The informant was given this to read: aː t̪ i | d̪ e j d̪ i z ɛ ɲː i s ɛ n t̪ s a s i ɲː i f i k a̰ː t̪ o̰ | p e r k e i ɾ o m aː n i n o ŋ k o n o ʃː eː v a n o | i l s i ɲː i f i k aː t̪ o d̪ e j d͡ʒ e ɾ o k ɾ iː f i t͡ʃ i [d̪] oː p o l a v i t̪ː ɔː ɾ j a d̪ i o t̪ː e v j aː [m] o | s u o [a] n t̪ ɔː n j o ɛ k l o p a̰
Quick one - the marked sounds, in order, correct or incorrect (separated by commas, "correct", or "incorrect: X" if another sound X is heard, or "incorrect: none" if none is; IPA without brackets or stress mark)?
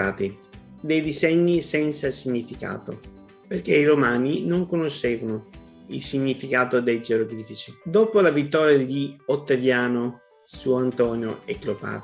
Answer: correct, incorrect: n, correct